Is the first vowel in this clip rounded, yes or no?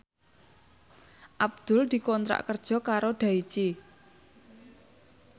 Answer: no